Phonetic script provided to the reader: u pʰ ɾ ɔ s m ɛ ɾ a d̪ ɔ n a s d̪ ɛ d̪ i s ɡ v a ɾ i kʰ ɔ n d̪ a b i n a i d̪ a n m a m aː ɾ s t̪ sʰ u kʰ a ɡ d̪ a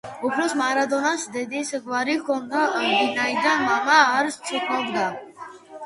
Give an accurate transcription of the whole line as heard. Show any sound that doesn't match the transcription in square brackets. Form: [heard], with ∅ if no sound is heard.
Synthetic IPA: u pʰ ɾ ɔ s m [a] ɾ a d̪ ɔ n a s d̪ ɛ d̪ i s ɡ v a ɾ i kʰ ɔ n d̪ a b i n a i d̪ a n m a m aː ɾ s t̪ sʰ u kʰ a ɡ d̪ a